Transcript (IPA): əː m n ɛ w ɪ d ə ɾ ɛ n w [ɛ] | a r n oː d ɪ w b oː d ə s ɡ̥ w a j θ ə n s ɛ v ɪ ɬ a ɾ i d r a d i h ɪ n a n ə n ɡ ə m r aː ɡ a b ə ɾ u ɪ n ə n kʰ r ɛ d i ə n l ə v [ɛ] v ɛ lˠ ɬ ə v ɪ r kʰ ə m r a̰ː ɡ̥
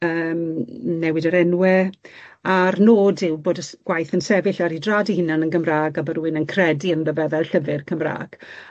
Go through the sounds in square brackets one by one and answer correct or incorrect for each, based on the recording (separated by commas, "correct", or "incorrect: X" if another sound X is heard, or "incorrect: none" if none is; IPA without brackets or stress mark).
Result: correct, correct